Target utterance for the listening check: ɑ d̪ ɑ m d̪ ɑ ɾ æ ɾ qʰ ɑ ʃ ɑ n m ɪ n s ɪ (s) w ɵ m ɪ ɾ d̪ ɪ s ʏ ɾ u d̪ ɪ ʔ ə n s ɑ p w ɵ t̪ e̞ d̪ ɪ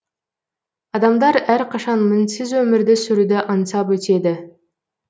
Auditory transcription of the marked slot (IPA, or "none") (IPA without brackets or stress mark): z